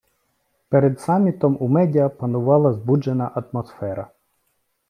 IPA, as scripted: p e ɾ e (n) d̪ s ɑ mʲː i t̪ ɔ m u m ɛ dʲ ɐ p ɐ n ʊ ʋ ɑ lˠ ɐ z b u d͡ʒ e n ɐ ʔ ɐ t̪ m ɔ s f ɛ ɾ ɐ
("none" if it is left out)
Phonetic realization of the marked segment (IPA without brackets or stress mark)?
none